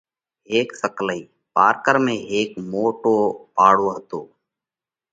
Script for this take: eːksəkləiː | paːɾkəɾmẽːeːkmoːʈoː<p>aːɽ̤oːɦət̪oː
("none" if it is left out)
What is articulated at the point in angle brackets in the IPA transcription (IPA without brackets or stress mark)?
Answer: p